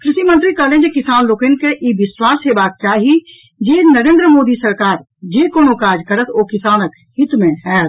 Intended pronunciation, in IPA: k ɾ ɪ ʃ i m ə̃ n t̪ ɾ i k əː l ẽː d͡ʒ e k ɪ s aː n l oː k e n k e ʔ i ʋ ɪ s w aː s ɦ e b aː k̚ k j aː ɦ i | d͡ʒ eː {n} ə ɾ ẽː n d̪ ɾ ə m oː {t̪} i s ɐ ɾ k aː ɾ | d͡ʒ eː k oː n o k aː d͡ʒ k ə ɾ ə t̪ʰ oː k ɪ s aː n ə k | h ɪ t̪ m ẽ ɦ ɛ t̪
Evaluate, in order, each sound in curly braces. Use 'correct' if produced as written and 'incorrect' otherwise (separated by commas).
correct, incorrect